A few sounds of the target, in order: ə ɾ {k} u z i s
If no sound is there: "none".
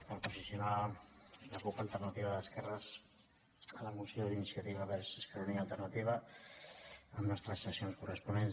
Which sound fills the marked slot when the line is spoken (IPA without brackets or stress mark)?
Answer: p